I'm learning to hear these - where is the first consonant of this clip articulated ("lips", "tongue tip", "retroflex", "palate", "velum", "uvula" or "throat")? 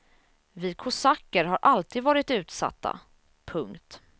lips